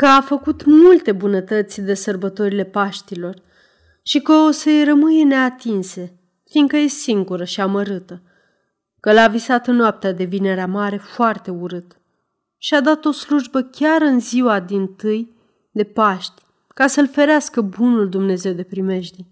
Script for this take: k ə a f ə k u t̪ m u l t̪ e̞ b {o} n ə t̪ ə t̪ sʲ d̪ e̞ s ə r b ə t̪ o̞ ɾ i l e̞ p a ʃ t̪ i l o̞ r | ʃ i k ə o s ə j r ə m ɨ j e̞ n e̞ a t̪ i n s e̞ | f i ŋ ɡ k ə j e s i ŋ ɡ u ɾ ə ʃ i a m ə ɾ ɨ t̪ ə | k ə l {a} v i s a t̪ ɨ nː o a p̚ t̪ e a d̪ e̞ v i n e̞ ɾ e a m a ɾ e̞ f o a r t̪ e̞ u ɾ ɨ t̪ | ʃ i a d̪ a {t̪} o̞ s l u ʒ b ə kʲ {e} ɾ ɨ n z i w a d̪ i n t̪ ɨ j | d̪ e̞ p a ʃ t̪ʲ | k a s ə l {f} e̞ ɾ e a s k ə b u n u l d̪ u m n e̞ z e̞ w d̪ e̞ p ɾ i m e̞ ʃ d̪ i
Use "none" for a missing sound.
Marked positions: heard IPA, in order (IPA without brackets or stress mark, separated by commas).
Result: u, a, t̪, a, f